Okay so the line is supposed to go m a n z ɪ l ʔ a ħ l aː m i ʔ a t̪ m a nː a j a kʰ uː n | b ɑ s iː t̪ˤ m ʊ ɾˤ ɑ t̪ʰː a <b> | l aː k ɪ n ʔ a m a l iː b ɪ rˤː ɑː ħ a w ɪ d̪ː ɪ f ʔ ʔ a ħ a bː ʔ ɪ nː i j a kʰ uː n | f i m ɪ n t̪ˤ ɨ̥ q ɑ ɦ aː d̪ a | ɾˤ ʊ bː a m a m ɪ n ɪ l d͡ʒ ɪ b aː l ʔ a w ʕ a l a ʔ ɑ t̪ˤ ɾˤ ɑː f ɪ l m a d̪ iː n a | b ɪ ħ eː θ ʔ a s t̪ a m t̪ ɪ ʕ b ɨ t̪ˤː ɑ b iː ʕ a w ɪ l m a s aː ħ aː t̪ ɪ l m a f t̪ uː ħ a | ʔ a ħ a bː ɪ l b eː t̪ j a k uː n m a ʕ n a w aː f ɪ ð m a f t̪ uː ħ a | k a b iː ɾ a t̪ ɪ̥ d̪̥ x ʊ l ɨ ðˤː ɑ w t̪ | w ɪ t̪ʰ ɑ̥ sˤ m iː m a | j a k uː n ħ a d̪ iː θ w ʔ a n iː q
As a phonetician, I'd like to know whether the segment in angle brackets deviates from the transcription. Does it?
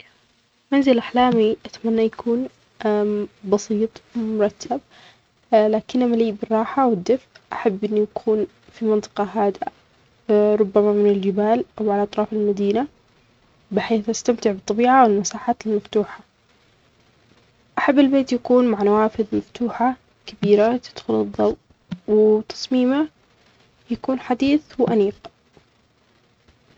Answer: no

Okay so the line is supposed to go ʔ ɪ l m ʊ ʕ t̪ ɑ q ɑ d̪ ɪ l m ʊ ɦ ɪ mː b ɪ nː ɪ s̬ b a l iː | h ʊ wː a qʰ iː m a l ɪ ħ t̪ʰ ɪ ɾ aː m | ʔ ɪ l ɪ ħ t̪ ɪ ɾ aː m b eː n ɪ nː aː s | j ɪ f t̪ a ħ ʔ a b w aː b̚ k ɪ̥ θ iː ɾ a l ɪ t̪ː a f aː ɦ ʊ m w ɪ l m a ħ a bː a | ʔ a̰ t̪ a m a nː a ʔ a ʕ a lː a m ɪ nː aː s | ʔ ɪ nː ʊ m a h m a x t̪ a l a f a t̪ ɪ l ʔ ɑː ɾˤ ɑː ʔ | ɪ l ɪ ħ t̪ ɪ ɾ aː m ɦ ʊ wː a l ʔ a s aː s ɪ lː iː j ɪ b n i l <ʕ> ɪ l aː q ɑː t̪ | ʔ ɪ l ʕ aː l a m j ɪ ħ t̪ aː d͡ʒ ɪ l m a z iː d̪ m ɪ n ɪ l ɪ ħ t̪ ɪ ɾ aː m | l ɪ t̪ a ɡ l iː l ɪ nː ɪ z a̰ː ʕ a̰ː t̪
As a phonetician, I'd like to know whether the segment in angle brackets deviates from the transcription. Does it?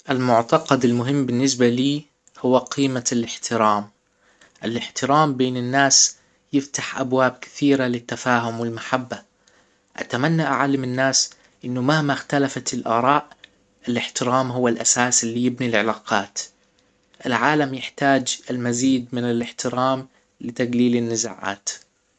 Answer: no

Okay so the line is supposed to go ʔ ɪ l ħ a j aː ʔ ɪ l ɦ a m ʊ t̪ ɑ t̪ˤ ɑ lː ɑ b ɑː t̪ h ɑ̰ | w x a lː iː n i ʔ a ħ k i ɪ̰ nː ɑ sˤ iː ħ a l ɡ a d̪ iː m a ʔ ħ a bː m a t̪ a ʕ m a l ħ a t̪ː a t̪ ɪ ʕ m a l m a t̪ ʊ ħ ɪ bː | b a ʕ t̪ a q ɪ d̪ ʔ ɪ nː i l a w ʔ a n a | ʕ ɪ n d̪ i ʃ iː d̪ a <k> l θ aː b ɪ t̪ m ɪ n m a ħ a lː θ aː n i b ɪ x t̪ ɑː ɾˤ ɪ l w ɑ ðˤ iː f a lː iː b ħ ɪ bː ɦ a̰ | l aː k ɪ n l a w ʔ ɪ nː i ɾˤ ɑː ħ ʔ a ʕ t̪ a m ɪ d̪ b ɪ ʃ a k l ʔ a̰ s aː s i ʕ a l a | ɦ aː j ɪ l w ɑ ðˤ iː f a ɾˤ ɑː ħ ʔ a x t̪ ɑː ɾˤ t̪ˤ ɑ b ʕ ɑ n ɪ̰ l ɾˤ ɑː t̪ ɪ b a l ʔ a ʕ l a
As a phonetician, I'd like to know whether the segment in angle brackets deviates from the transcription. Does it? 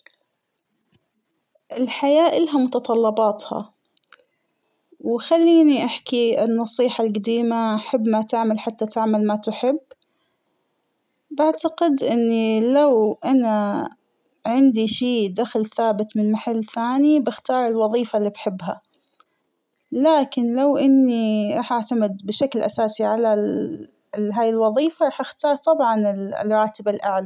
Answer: yes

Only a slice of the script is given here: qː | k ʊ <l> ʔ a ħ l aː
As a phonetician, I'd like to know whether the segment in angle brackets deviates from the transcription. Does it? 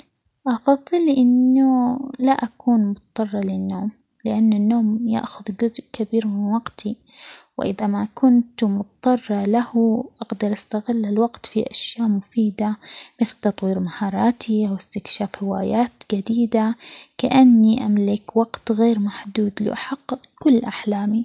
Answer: yes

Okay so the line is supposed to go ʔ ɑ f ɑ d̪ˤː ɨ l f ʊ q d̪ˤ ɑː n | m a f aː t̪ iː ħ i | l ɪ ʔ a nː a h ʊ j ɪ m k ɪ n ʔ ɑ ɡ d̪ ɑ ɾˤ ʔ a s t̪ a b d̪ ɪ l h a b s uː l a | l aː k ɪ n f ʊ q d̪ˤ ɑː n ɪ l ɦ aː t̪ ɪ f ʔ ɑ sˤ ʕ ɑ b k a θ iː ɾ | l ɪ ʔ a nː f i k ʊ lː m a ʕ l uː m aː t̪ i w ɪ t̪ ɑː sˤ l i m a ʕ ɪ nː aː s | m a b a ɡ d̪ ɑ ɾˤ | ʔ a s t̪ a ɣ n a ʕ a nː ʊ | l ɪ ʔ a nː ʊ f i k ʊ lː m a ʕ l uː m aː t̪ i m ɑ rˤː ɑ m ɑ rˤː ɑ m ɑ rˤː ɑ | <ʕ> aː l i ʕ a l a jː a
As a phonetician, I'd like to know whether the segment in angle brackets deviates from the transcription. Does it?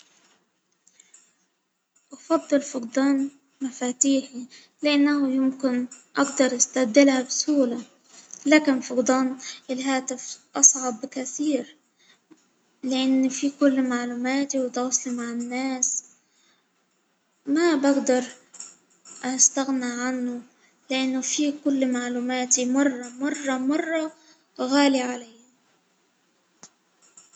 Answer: yes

